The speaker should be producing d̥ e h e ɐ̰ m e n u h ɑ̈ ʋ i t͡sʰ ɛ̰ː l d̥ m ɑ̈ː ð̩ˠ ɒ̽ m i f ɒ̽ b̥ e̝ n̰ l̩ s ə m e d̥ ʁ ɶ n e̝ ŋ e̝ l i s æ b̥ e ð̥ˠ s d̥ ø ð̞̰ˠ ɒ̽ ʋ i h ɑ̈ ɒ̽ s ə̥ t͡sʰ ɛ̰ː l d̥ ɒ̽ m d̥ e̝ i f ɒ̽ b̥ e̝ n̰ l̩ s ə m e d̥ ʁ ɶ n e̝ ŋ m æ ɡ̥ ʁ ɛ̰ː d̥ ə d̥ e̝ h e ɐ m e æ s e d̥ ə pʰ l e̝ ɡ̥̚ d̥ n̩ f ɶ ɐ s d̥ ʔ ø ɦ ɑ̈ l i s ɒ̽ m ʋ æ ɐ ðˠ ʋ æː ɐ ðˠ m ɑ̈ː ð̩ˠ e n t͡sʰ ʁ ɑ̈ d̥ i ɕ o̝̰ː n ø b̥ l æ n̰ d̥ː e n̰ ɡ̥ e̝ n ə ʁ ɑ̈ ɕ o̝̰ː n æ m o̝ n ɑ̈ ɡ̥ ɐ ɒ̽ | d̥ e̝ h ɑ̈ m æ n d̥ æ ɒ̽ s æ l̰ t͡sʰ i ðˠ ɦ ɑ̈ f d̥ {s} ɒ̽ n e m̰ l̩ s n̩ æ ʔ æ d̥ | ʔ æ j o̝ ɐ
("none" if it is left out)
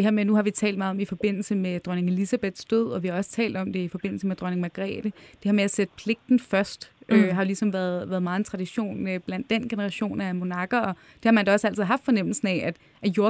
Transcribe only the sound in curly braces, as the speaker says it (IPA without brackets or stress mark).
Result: f